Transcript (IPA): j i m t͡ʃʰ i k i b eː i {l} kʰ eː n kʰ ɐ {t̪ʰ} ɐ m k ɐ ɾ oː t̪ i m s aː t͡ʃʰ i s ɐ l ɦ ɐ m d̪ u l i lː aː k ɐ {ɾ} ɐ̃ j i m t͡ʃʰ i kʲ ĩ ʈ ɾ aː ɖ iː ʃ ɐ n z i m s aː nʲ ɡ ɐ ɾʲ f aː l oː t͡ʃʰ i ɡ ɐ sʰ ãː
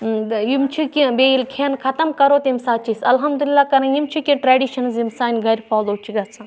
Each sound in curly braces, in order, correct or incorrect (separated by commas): correct, incorrect, correct